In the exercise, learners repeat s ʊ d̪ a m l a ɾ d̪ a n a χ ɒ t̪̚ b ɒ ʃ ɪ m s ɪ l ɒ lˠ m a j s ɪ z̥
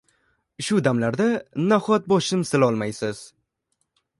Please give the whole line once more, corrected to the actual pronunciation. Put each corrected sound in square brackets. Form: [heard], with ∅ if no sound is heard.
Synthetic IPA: [ʃ] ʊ d̪ a m l a ɾ d̪ a n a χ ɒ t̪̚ b ɒ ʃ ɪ m s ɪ l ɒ lˠ m a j s ɪ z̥

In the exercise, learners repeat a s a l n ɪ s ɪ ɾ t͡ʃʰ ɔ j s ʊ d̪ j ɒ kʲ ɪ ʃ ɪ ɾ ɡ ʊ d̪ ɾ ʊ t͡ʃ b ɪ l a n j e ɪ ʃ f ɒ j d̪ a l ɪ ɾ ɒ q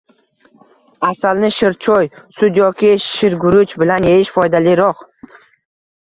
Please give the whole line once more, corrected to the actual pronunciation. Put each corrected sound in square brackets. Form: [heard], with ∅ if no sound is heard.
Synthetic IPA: a s a l n ɪ [ʃ] ɪ ɾ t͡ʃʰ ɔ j s ʊ d̪ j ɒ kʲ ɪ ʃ ɪ ɾ ɡ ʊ [∅] ɾ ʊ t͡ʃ b ɪ l a n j e ɪ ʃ f ɒ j d̪ a l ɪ ɾ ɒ q

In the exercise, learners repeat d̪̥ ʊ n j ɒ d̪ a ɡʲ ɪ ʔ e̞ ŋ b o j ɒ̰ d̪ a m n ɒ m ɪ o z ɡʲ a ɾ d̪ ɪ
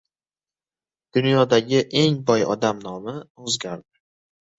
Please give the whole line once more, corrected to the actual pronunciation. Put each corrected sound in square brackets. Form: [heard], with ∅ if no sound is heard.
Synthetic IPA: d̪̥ ʊ n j ɒ d̪ a ɡʲ ɪ ʔ e̞ ŋ b [ɒ] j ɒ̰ d̪ a m n ɒ m ɪ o z ɡʲ a ɾ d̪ ɪ

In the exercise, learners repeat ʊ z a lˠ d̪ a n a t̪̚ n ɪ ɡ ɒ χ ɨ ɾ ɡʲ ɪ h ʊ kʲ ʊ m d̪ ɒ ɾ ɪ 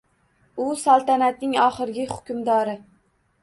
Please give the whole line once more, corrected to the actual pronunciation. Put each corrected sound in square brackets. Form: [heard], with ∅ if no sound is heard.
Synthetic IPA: ʊ [s] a lˠ [t̪] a n a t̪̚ n ɪ [ŋ] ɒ χ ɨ ɾ ɡʲ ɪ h ʊ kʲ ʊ m d̪ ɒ ɾ ɪ

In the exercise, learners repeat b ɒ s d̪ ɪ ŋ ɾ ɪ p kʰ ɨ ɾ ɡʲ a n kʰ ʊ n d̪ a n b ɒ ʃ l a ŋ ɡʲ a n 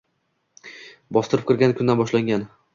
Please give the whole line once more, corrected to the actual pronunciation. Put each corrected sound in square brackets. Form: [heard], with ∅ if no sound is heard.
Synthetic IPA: b ɒ s [t̪] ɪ [∅] ɾ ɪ p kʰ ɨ ɾ ɡʲ a n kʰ ʊ n d̪ a n b ɒ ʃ l a ŋ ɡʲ a n

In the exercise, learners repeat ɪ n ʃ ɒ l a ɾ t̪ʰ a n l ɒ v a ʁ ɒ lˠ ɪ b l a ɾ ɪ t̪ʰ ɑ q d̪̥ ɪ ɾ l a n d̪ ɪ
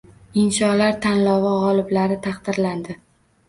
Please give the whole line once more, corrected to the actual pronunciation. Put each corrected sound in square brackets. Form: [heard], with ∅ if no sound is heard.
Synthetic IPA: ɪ n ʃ ɒ l a ɾ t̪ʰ a n l ɒ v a ʁ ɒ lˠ ɪ b l a ɾ ɪ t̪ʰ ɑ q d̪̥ ɪ ɾ l a n d̪ ɪ

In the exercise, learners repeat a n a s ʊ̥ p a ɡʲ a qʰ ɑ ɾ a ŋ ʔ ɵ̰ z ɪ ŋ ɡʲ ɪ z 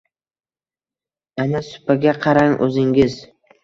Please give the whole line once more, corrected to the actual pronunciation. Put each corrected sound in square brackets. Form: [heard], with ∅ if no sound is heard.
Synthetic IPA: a n a s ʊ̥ p a ɡʲ a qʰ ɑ ɾ a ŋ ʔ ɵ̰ z ɪ ŋ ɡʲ ɪ z

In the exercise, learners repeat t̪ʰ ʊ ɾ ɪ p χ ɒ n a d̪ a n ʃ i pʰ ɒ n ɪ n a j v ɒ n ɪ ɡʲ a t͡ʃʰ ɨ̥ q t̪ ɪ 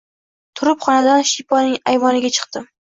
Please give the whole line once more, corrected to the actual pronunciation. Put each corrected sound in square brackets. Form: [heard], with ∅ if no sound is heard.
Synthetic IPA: t̪ʰ ʊ ɾ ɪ p χ ɒ n a d̪ a n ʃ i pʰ ɒ n ɪ [ŋ] a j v ɒ n ɪ ɡʲ a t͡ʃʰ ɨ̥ q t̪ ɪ

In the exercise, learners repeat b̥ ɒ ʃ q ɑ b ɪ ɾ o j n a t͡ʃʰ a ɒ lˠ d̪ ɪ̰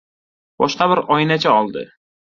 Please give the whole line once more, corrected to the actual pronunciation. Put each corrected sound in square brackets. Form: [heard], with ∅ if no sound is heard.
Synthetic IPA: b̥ ɒ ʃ q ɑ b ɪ ɾ [ɒ] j n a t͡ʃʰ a ɒ lˠ d̪ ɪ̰

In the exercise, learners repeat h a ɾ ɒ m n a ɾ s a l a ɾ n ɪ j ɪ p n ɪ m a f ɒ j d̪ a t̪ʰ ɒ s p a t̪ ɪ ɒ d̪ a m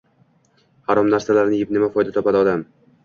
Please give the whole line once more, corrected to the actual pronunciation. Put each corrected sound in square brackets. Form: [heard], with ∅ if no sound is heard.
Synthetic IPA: h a ɾ ɒ m n a ɾ s a l a ɾ n ɪ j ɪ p n ɪ m a f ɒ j d̪ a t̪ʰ ɒ [∅] p a [d̪] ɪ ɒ d̪ a m

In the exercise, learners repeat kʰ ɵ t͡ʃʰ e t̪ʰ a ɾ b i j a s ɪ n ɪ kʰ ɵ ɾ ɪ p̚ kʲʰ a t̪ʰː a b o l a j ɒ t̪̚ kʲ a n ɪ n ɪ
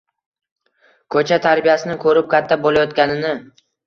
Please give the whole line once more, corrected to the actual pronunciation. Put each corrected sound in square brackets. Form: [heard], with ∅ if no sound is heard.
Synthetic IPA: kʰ ɵ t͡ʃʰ [a] t̪ʰ a ɾ b i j a s ɪ n ɪ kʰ ɵ ɾ ɪ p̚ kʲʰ a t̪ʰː a b o l a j ɒ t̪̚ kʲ a n ɪ n ɪ

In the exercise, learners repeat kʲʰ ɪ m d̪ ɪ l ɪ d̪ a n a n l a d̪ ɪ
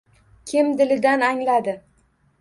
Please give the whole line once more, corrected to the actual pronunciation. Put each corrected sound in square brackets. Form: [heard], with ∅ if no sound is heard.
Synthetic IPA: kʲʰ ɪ m d̪ ɪ l ɪ d̪ a n a [ŋ] l a d̪ ɪ

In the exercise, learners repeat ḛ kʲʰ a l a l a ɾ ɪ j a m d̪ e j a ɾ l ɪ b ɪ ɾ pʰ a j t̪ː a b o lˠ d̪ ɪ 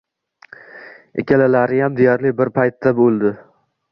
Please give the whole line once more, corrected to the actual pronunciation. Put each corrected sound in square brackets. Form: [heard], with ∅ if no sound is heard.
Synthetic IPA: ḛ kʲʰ a l a l a ɾ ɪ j a m d̪ e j a ɾ l ɪ b ɪ ɾ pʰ a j t̪ː a b o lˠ d̪ ɪ

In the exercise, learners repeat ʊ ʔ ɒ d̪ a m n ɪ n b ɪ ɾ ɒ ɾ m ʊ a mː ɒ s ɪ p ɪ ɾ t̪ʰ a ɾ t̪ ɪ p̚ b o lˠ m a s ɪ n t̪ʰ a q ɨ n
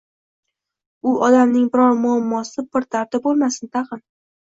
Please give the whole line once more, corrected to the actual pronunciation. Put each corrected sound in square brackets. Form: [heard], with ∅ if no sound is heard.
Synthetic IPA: ʊ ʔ ɒ d̪ a m n ɪ [ŋ] b ɪ ɾ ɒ ɾ m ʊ a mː ɒ s ɪ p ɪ ɾ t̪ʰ a ɾ t̪ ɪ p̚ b o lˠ m a s ɪ n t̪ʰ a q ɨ n

